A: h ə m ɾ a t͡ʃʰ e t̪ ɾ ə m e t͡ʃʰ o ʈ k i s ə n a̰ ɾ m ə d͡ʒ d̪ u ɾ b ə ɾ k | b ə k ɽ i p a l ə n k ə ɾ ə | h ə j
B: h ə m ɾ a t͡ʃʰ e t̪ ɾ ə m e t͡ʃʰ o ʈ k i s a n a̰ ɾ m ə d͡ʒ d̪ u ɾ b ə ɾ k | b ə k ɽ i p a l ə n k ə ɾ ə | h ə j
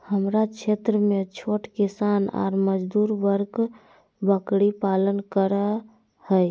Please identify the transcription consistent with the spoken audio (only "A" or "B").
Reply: B